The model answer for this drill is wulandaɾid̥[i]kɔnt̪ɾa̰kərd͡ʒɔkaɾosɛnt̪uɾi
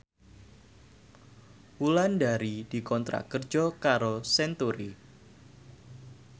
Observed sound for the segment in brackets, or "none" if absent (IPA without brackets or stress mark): i